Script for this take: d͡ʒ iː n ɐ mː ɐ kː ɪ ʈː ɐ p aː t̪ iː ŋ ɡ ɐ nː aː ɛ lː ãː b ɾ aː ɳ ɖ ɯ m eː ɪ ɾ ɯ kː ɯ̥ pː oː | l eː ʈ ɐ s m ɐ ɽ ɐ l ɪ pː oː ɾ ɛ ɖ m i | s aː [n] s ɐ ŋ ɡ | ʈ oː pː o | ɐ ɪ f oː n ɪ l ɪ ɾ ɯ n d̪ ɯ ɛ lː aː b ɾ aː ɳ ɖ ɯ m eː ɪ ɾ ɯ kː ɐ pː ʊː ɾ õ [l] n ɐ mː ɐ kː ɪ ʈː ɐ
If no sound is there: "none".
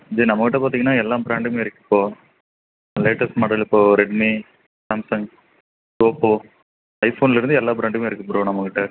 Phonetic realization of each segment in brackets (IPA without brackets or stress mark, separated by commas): m, none